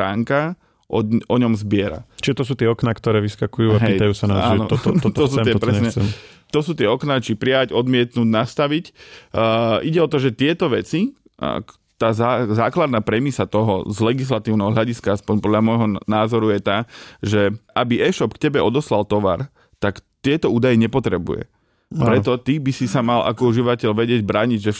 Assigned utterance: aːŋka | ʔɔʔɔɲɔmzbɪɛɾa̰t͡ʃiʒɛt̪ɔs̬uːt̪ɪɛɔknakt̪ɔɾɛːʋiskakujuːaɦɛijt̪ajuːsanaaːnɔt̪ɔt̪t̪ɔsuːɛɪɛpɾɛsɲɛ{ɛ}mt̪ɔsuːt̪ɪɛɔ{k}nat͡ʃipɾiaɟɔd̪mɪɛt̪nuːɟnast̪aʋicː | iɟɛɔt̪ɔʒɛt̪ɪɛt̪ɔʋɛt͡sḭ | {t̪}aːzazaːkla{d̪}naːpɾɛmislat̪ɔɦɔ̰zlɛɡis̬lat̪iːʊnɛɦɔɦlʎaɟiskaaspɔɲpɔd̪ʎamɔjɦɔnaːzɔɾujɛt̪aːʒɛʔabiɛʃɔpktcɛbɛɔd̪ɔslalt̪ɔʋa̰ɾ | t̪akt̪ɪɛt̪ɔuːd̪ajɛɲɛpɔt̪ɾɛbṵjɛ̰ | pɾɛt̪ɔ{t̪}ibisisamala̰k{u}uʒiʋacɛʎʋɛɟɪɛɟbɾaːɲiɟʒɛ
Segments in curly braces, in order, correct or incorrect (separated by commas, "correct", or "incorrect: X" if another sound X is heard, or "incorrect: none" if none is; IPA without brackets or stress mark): correct, correct, correct, correct, correct, incorrect: ɔ